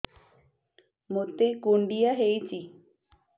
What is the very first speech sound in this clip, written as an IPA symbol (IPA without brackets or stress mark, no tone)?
m